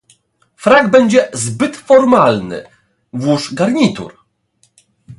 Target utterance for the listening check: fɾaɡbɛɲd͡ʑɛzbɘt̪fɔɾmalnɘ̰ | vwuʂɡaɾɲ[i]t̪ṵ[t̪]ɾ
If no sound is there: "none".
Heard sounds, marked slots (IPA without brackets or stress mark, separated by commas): i, none